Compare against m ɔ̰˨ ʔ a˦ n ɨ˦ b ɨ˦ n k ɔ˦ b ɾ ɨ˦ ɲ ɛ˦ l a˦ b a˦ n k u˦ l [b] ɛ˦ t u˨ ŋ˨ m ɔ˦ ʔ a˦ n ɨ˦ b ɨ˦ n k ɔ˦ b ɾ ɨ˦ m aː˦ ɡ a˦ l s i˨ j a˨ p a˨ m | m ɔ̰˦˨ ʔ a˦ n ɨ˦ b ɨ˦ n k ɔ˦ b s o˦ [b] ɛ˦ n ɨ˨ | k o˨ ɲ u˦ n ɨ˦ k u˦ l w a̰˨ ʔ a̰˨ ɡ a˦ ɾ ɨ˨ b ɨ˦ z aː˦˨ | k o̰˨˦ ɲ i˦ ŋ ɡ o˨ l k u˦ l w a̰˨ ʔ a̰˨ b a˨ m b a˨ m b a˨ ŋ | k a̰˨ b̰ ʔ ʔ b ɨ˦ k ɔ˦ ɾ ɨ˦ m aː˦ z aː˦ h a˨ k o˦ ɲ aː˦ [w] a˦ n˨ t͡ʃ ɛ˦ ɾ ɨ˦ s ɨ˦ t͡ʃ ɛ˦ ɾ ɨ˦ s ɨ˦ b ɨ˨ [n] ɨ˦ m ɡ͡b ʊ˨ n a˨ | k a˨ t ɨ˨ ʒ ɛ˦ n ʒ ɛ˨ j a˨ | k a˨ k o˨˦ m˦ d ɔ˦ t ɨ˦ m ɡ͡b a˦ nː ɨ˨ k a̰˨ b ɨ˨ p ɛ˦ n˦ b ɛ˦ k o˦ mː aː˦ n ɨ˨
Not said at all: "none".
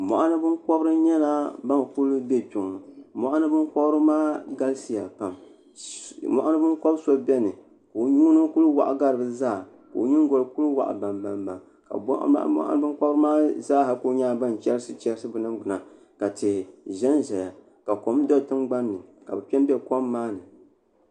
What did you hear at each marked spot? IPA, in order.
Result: b, b, b, n

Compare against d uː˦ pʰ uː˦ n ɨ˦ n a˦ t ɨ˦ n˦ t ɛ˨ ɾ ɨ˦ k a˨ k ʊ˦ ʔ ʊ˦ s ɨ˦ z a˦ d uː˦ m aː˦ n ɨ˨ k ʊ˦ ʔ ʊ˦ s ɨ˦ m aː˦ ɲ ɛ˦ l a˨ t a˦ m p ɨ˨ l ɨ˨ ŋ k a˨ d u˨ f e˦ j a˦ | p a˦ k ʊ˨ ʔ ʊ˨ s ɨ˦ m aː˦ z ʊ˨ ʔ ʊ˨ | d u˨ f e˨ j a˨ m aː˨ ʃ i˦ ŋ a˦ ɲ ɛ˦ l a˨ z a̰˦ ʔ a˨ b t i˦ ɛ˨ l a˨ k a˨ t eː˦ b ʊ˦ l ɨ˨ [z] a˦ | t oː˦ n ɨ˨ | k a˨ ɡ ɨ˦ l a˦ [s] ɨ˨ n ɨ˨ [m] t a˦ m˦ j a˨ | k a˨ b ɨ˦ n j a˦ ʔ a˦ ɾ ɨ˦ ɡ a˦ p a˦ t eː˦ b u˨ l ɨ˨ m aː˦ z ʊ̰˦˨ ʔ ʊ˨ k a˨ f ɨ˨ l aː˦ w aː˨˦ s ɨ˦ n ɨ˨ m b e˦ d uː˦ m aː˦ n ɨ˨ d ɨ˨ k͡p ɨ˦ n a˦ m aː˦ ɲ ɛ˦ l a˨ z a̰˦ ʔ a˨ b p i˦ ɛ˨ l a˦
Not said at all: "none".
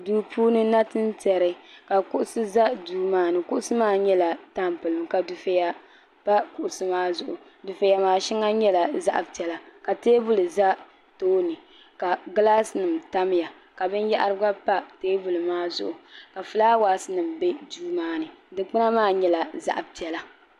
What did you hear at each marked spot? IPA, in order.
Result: z, s, m

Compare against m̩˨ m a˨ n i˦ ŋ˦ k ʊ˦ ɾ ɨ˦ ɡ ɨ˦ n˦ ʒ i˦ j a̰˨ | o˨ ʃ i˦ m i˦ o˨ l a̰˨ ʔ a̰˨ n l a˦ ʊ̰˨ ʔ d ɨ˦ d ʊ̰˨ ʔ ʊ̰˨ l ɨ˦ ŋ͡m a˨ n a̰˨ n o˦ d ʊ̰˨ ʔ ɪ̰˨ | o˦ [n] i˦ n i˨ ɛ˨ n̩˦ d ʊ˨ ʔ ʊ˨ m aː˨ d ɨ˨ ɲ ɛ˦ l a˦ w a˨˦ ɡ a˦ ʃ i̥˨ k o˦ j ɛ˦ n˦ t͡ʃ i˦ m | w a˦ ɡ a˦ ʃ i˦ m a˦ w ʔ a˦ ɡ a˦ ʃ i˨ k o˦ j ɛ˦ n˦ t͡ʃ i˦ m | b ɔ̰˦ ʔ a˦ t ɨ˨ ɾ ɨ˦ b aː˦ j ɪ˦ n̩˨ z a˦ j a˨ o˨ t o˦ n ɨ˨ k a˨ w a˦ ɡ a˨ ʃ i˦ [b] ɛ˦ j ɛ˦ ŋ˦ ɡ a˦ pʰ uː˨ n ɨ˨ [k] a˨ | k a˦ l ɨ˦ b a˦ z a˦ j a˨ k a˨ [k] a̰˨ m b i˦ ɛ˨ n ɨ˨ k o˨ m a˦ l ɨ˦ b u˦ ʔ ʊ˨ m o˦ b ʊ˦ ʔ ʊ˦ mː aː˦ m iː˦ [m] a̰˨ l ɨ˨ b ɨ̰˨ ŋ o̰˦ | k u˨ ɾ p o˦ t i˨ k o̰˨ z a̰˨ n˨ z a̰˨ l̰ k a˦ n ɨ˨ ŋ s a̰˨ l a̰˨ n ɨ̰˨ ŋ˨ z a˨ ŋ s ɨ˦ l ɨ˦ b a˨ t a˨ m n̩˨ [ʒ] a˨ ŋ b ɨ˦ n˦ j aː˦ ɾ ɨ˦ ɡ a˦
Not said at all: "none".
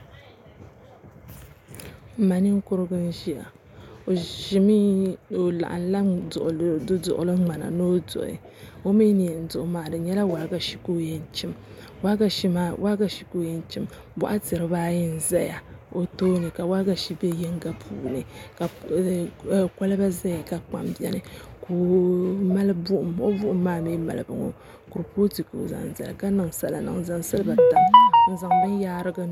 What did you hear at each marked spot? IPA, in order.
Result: m, b, k, k͡p, m, z

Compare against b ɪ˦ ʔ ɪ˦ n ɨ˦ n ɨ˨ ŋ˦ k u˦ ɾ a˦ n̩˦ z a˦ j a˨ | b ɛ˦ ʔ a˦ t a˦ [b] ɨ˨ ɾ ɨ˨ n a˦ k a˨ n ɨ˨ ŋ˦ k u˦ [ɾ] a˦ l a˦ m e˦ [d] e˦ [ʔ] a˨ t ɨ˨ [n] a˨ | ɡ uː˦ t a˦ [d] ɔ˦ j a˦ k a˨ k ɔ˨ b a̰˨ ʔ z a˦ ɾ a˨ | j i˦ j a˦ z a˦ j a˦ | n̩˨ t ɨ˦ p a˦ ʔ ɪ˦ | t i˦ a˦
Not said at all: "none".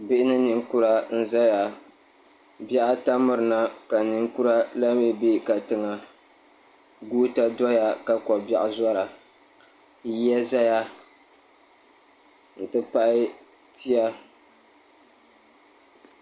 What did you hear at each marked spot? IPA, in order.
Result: m, ɾ, b, k, ŋ, d

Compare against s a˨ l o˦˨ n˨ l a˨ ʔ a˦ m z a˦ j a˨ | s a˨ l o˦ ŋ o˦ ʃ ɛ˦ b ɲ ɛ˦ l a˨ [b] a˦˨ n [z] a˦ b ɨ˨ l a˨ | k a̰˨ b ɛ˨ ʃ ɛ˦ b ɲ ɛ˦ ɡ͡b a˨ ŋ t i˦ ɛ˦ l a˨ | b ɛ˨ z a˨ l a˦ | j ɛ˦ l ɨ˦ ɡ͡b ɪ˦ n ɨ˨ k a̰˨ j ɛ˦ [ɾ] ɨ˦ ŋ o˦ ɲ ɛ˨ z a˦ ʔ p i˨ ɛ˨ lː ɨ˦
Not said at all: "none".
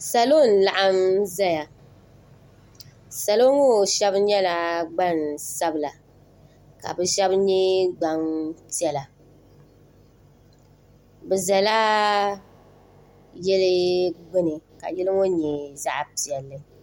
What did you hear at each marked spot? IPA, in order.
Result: ɡ͡b, s, l

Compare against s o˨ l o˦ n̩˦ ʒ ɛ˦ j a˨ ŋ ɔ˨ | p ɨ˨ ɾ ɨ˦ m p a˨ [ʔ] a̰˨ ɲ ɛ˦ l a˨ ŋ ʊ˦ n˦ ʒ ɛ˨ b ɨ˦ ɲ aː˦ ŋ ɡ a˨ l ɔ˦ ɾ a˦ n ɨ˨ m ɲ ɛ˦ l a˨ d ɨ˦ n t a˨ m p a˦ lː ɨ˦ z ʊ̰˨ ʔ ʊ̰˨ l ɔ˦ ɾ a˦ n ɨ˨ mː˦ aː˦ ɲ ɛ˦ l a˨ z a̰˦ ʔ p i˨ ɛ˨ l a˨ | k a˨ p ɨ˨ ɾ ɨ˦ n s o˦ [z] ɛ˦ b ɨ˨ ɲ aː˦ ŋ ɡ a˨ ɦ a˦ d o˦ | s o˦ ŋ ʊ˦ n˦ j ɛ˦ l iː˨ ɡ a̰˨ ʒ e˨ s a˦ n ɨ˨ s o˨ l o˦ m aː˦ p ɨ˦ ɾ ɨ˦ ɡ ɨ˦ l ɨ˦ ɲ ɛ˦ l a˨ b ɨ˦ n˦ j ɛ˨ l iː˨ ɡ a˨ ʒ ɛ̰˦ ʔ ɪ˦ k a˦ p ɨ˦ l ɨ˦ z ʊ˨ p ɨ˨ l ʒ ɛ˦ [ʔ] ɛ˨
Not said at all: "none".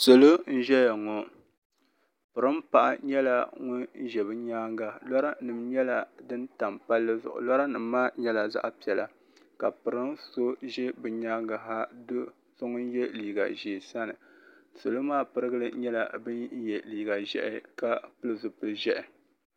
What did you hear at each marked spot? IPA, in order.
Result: ʔ, ʒ, ʔ

